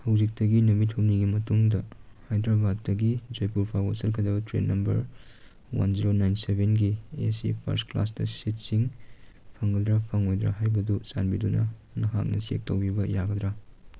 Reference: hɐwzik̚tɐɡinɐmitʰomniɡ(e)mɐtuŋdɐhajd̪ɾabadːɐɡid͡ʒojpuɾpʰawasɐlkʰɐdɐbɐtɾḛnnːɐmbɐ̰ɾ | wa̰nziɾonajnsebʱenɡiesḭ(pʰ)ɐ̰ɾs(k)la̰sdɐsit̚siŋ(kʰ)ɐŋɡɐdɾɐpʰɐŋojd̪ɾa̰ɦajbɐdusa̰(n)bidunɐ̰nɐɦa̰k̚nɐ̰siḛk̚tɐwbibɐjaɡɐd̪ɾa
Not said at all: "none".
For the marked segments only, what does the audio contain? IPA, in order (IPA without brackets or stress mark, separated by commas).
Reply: i, pʰ, k, pʰ, n